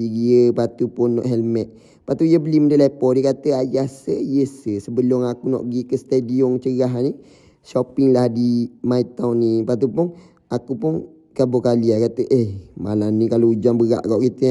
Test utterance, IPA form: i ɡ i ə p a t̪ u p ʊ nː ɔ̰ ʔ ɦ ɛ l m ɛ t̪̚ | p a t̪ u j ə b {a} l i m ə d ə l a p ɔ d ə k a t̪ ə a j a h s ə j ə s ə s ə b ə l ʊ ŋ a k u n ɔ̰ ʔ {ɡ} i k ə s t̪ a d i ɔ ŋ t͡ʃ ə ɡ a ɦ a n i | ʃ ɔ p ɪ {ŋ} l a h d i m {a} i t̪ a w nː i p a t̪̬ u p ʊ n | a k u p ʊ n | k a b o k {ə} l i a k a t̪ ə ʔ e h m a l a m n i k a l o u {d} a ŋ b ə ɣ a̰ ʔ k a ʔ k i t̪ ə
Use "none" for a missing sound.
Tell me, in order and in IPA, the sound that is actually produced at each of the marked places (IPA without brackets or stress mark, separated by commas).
ə, ɡ, ŋ, a, a, d͡ʒ